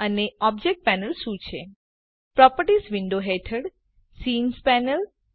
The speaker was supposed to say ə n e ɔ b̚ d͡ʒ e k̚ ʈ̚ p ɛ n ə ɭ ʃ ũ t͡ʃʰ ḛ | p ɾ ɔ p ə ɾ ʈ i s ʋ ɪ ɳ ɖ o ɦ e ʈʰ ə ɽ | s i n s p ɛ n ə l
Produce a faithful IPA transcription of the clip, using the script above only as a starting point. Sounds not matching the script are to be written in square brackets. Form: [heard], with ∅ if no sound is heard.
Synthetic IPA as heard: ə n e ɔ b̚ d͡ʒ e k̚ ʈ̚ p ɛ n ə [l] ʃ ũ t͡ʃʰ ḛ | p ɾ ɔ p ə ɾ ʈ i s ʋ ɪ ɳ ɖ o ɦ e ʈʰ ə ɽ | s i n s p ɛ n ə l